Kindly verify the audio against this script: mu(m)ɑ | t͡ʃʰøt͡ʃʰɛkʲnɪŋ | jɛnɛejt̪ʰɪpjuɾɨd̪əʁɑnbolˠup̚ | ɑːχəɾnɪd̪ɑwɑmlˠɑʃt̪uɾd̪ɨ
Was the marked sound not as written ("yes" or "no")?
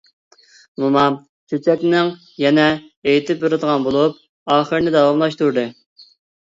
no